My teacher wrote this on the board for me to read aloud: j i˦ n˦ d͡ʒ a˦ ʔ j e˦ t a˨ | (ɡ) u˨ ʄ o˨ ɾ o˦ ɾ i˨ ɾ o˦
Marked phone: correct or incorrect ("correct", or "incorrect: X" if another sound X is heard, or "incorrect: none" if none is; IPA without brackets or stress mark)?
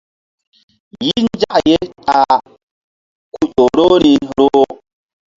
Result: incorrect: k